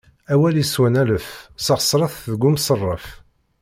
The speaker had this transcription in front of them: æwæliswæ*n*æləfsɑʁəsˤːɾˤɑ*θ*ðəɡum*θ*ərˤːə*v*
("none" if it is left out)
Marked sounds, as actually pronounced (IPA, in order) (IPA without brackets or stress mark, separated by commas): n, θ, s, f